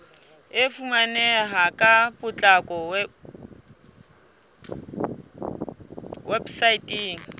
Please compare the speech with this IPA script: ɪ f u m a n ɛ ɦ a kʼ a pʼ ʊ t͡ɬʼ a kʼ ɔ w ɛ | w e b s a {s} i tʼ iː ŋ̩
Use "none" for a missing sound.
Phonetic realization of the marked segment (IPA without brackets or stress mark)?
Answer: none